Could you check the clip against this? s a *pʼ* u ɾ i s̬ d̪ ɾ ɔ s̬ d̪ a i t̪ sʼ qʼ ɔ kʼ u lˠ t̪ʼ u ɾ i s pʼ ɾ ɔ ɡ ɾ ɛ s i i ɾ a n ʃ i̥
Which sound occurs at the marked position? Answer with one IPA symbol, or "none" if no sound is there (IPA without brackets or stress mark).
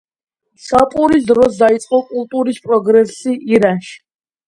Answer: pʼ